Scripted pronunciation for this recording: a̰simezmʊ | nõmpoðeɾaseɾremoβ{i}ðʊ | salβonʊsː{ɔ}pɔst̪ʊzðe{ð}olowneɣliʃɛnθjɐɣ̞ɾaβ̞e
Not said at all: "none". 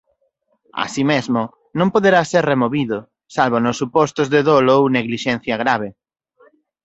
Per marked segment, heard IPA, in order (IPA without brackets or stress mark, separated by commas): i, u, ð